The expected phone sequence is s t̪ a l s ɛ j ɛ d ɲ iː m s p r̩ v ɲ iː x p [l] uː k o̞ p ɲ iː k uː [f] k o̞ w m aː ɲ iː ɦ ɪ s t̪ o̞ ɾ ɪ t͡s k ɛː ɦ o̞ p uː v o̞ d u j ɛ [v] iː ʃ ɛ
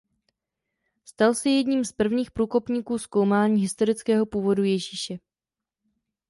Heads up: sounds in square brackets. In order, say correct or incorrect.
incorrect, incorrect, incorrect

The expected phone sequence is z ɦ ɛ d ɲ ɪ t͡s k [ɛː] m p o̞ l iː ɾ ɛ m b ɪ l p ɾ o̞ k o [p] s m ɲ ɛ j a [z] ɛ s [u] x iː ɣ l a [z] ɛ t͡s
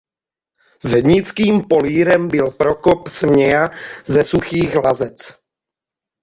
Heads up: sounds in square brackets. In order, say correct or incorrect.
incorrect, correct, correct, correct, correct

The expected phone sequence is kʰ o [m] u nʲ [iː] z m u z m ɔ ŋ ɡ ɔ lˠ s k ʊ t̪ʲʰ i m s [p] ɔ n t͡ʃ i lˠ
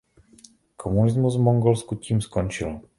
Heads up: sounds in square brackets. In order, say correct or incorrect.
correct, incorrect, incorrect

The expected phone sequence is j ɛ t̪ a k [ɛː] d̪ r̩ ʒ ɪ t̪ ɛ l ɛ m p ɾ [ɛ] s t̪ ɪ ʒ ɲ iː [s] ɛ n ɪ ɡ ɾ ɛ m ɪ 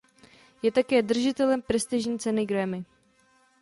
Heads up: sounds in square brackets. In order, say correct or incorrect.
correct, correct, incorrect

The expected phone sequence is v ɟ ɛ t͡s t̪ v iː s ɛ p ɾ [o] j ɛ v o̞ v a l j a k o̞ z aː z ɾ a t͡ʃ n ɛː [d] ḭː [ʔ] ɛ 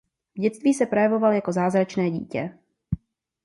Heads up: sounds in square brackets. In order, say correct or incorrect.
correct, incorrect, incorrect

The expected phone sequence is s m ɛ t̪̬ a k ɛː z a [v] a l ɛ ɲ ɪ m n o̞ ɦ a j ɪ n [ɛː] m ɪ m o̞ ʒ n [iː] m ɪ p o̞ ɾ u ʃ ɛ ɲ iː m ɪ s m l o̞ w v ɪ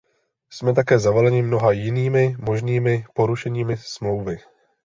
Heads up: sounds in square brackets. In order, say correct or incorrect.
correct, incorrect, correct

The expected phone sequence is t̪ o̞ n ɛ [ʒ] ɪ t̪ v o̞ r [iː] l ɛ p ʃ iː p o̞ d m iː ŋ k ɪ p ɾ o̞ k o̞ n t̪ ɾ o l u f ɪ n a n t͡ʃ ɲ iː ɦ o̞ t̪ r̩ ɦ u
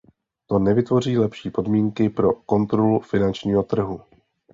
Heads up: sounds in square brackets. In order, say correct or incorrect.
incorrect, correct

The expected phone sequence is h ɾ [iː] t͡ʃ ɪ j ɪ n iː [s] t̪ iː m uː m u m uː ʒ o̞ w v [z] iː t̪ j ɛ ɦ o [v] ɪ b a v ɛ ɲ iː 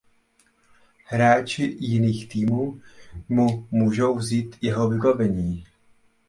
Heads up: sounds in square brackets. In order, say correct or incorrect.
incorrect, incorrect, correct, correct

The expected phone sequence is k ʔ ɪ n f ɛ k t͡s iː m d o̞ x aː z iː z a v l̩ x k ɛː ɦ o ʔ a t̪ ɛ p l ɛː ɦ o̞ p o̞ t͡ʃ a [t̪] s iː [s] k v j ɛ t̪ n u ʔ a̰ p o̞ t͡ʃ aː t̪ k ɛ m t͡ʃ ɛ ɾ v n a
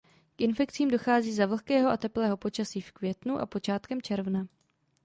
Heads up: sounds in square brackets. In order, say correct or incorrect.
incorrect, incorrect

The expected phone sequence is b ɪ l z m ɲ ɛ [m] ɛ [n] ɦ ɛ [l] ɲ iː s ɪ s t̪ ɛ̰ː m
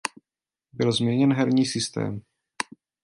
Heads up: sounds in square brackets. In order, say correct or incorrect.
incorrect, correct, incorrect

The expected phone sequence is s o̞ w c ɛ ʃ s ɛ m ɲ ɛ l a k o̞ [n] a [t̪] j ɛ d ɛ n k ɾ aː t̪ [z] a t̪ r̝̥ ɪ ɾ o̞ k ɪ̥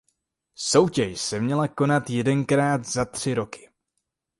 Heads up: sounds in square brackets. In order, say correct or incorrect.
correct, correct, correct

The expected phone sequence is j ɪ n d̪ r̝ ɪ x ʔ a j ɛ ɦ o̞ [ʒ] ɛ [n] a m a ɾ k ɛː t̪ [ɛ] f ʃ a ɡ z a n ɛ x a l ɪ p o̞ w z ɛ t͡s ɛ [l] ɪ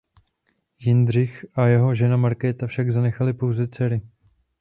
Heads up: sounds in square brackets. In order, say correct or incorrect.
correct, correct, incorrect, incorrect

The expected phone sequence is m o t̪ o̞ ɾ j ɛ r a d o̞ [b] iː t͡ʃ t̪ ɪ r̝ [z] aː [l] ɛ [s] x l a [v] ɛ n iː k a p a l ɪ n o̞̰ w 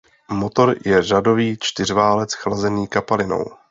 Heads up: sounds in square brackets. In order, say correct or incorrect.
incorrect, incorrect, correct, incorrect, incorrect

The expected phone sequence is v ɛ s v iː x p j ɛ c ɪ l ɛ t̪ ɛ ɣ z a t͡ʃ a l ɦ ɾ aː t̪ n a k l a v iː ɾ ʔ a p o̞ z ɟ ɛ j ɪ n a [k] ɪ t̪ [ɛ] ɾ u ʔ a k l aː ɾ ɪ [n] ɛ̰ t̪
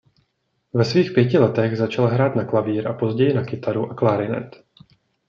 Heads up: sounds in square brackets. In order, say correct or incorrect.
correct, incorrect, correct

